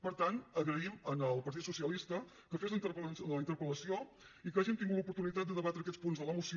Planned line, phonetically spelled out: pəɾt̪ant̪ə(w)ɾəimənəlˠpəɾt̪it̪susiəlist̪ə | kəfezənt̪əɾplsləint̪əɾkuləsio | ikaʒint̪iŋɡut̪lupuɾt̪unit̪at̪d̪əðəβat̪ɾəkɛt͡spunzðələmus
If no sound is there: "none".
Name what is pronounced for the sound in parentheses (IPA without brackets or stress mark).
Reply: ɣ